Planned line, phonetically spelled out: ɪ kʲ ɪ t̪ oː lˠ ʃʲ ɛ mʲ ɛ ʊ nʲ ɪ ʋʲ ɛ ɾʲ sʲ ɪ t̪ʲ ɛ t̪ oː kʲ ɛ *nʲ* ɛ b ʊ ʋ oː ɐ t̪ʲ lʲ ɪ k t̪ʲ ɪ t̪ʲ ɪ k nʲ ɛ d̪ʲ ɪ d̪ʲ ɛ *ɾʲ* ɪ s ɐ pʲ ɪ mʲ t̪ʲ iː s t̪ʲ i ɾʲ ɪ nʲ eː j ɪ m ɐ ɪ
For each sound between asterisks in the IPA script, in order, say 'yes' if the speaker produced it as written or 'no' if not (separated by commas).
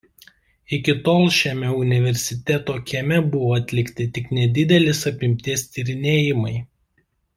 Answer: no, no